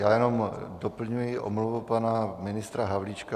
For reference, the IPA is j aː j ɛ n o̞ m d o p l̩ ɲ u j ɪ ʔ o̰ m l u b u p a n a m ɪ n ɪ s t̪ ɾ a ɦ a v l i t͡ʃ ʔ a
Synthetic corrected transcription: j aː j ɛ n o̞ m d o p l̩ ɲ u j ɪ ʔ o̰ m l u v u p a n a m ɪ n ɪ s t̪ ɾ a ɦ a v l i t͡ʃ k a